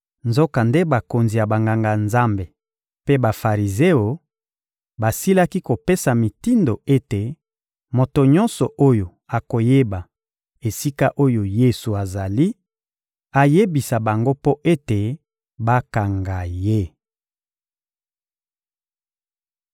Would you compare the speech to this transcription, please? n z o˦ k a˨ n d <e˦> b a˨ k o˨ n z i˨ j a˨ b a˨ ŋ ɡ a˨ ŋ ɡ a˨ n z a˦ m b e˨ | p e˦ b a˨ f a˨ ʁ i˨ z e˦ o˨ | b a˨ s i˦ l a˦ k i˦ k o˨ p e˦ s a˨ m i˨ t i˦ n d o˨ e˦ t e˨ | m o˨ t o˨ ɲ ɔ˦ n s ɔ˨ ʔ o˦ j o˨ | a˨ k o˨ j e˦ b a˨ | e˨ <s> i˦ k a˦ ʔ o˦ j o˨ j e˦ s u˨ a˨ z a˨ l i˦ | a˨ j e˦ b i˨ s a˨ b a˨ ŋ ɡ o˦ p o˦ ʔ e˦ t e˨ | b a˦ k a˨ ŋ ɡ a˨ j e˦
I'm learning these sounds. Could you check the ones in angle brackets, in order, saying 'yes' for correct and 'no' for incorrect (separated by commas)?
yes, yes